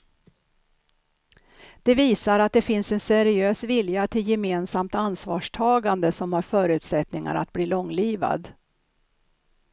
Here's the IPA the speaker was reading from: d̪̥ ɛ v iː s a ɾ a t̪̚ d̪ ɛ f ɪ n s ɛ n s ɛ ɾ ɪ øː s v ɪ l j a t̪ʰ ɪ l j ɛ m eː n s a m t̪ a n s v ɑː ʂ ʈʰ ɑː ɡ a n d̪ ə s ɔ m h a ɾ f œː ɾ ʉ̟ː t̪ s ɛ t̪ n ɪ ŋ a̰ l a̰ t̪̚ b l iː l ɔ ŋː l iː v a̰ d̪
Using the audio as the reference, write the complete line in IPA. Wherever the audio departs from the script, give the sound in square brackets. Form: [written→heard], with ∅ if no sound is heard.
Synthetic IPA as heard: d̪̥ ɛ v iː s a ɾ a t̪̚ d̪ ɛ f ɪ n s ɛ n s ɛ ɾ ɪ øː s v ɪ l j a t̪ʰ ɪ l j ɛ m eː n s a m t̪ a n s v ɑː ʂ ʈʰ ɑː ɡ a n d̪ ə s ɔ m h a ɾ f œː ɾ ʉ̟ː t̪ s ɛ t̪ n ɪ ŋ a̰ [l→ɾ] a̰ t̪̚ b l iː l ɔ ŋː l iː v a̰ d̪